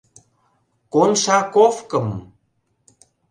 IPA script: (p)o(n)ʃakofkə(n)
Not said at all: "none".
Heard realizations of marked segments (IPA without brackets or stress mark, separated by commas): k, n, m